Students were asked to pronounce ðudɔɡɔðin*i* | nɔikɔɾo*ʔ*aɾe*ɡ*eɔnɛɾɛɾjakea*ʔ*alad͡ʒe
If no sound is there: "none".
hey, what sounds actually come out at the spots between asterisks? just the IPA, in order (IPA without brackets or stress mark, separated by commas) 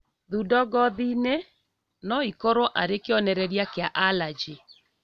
e, ʔ, k, ʔ